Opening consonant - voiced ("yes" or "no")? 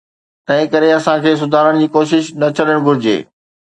no